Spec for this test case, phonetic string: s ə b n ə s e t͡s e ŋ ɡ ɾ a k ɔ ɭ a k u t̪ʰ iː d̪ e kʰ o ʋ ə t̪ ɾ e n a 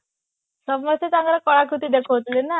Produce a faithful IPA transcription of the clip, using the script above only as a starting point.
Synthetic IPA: s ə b m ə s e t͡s a ŋ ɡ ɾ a k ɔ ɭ a k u t̪ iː d̪ e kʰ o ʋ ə t̪ l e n a